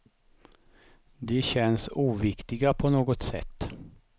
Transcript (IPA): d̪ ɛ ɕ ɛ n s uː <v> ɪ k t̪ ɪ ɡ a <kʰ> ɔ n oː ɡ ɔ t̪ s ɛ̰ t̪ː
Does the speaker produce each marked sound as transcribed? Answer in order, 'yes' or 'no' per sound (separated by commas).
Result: yes, no